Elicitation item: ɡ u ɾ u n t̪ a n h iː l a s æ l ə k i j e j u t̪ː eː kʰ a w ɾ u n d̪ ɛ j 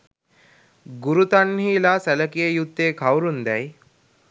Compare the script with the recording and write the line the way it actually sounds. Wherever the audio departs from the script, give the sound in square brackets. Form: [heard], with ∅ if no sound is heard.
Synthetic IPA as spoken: ɡ u ɾ u [∅] t̪ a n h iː l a s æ l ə k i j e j u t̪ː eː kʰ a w ɾ u n d̪ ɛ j